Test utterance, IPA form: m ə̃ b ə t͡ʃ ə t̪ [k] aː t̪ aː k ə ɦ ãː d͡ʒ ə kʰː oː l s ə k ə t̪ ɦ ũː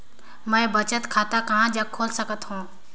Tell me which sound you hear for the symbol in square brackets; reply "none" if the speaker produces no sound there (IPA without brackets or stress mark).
kʰ